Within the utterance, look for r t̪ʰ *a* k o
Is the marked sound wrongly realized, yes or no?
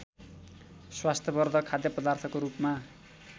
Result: yes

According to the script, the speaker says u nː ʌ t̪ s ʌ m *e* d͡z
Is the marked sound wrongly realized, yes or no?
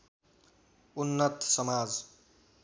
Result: yes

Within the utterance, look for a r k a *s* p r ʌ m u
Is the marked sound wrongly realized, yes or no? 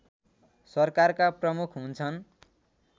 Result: yes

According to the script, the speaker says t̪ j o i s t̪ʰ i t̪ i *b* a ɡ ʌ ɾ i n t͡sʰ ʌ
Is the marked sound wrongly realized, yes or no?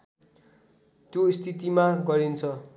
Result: yes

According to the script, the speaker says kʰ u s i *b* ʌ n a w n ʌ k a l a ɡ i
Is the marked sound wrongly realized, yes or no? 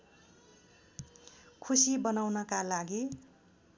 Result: no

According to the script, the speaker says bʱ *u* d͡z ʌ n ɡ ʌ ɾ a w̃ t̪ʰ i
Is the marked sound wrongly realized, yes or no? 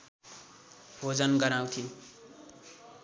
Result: yes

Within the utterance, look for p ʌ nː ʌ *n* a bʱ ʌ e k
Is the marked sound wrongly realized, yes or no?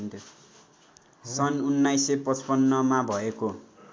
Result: yes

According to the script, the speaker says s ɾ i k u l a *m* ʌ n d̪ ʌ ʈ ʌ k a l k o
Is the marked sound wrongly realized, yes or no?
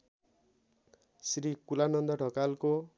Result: yes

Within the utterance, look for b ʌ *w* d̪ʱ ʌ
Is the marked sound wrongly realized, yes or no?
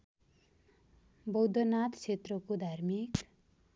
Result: no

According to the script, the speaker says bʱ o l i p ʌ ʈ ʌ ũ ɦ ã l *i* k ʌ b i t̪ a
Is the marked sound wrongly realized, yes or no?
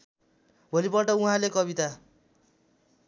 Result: yes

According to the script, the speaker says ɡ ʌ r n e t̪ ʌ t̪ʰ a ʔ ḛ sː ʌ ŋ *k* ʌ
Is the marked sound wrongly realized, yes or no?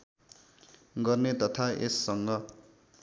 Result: yes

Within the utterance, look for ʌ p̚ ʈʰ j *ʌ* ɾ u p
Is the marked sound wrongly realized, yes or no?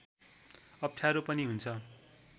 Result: yes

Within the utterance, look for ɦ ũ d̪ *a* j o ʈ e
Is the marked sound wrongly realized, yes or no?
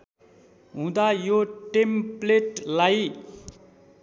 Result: no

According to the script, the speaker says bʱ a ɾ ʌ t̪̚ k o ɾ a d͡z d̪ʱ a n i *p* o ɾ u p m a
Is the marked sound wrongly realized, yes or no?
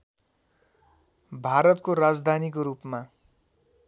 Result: yes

